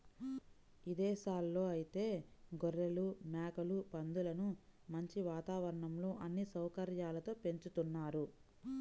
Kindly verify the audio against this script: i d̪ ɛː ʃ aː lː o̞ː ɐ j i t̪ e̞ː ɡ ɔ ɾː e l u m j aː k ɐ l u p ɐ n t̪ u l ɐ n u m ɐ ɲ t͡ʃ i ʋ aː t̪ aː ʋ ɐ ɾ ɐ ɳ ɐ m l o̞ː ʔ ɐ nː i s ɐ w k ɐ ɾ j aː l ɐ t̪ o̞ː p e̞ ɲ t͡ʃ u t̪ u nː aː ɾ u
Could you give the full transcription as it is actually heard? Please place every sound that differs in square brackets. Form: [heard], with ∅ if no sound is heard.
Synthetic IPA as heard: i d̪ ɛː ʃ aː lː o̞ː ɐ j i t̪ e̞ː ɡ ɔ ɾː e l u m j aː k ɐ l u p ɐ n [d̪] u l ɐ n u m ɐ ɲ t͡ʃ i ʋ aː t̪ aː ʋ ɐ ɾ ɐ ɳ ɐ m l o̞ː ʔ ɐ nː i s ɐ w k ɐ ɾ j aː l ɐ t̪ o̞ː p e̞ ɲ t͡ʃ u t̪ u nː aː ɾ u